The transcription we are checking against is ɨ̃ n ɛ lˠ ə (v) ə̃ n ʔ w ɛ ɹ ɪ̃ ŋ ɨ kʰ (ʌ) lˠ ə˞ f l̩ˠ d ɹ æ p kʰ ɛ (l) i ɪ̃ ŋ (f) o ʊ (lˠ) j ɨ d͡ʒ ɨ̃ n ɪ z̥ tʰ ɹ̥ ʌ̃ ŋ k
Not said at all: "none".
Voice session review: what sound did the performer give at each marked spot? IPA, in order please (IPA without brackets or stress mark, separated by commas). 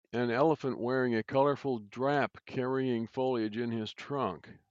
f, ʌ, ɹ, f, lˠ